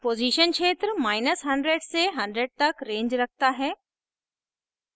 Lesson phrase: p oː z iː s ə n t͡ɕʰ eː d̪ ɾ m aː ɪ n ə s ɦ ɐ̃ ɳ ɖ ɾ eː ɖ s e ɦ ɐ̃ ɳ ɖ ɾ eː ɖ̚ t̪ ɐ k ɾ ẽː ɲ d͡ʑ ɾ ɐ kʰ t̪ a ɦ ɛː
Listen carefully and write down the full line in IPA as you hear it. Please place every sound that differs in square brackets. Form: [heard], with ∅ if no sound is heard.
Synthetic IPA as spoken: p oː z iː [ʃ] ə n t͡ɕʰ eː [t̪] ɾ m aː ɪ n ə s ɦ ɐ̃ ɳ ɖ ɾ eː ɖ s e ɦ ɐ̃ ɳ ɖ ɾ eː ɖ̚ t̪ ɐ k ɾ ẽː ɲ d͡ʑ ɾ ɐ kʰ t̪ a ɦ ɛː